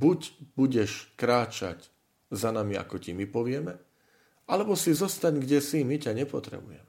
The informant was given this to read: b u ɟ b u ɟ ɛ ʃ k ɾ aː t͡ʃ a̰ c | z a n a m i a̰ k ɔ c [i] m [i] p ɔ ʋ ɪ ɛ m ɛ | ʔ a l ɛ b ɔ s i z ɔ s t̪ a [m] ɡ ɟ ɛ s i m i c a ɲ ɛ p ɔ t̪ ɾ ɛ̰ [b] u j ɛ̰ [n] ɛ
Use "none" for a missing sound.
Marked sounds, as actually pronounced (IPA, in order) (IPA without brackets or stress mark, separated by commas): i, i, ɲ, b, m